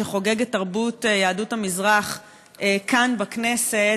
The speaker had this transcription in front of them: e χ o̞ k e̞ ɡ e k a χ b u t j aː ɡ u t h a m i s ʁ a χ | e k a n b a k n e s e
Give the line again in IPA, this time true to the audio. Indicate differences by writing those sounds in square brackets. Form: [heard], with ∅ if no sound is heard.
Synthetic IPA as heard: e χ o̞ [ɡ] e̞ ɡ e [t] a [ʁ] b u t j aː [d] u t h a m i [z] ʁ a χ | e k a n b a k n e s e